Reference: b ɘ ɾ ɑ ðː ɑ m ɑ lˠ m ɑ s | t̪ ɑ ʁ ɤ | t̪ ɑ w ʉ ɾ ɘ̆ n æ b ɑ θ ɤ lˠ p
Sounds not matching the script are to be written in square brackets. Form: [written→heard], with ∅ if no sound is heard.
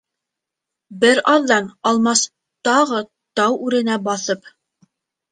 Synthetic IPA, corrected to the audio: b ɘ ɾ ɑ ðː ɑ [m→n] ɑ lˠ m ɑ s | t̪ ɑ ʁ ɤ | t̪ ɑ w ʉ ɾ ɘ̆ n æ b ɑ θ ɤ [lˠ→∅] p